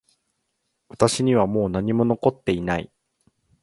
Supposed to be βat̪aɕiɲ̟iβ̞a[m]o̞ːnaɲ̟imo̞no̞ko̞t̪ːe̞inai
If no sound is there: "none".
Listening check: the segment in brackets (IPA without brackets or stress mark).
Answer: m